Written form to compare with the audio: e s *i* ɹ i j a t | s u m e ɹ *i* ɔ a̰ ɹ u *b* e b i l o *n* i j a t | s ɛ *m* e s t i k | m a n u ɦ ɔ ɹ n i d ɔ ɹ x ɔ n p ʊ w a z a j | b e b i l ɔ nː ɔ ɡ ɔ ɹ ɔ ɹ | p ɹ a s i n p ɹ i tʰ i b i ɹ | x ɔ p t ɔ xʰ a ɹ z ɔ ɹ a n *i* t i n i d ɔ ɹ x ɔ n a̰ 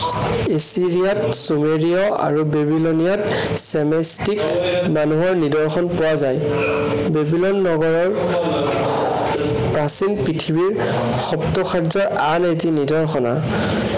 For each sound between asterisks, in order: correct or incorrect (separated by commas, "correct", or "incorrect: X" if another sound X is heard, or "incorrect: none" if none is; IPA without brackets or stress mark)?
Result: correct, correct, correct, correct, correct, incorrect: e